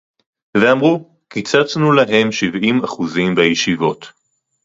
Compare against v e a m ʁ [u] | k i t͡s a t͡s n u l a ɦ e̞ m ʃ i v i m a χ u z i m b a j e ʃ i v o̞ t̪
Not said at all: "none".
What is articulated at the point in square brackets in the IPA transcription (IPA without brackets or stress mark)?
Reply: u